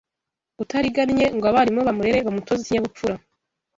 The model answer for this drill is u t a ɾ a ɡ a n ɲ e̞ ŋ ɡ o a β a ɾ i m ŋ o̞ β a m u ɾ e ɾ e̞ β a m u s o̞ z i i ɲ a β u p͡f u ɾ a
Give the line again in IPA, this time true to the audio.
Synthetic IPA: u t a ɾ i ɡ a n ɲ e̞ ŋ ɡ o a β a ɾ i m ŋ o̞ β a m u ɾ e ɾ e̞ β a m u t o̞ z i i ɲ a β u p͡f u ɾ a